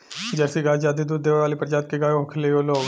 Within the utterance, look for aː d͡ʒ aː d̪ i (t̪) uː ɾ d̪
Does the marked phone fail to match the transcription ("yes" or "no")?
yes